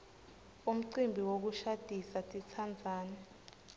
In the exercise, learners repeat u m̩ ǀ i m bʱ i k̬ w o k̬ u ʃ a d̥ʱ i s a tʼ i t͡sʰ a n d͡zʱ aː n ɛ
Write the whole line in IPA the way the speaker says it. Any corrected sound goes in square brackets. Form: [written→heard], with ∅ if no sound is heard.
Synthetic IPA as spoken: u m̩ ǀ i m bʱ i [k̬→∅] w o k̬ u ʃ a d̥ʱ i s a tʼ i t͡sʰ a n d͡zʱ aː n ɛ